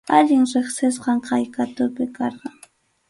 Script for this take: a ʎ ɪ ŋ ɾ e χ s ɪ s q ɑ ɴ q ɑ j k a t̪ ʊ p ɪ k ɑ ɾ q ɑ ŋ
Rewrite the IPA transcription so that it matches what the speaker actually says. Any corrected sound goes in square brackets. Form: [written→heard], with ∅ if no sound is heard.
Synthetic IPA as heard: a ʎ ɪ ŋ ɾ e χ s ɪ s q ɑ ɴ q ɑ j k a t̪ ʊ p ɪ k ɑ ɾ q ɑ ŋ